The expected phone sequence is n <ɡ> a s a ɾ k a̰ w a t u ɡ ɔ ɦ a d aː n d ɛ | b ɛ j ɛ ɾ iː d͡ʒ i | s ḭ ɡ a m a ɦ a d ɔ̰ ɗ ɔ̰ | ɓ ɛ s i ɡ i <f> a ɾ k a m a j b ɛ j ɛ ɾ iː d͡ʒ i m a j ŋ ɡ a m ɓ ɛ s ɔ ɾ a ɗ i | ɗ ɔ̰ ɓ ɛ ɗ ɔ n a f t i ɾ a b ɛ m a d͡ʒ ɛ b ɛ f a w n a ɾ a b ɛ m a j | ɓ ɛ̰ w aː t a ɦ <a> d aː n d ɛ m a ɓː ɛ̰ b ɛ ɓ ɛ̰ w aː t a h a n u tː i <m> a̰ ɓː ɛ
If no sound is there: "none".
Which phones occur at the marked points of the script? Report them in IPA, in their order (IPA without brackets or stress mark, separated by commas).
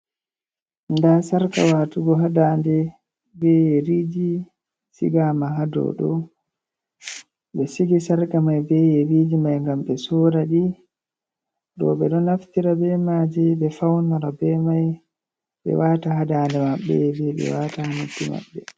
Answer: d, s, a, m